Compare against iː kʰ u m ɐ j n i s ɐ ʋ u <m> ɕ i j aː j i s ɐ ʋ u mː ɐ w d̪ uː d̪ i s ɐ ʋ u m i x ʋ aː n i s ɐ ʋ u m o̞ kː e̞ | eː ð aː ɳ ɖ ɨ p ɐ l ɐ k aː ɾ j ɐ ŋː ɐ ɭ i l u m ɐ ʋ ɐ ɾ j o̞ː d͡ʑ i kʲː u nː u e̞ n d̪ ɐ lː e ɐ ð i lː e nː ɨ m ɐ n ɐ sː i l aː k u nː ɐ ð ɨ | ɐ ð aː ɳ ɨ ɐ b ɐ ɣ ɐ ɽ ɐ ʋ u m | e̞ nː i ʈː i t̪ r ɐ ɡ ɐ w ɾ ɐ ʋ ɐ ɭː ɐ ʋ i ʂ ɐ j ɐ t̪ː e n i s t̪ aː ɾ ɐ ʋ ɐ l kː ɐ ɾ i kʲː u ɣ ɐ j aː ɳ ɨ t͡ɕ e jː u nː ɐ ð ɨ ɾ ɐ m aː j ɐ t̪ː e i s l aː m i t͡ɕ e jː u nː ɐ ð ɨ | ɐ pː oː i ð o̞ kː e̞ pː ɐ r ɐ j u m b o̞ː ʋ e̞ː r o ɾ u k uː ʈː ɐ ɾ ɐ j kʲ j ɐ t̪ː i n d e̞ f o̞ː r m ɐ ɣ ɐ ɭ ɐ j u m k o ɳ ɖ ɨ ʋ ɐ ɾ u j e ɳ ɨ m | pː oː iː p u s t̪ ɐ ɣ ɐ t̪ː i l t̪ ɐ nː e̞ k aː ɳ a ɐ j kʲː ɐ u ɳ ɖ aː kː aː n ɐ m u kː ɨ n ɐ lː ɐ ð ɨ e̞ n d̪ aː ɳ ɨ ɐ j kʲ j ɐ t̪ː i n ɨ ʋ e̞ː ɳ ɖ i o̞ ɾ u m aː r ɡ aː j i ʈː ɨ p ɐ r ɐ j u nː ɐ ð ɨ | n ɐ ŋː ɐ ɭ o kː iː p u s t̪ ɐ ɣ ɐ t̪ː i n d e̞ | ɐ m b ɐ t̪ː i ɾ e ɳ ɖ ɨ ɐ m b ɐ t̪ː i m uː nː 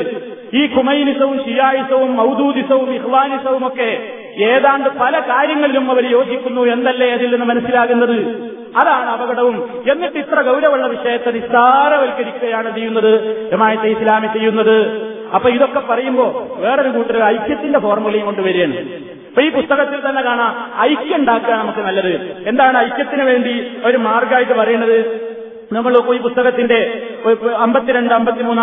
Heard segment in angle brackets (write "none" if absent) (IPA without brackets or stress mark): m